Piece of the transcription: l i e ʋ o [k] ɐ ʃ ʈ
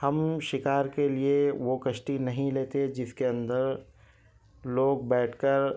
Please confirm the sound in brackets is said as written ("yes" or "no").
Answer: yes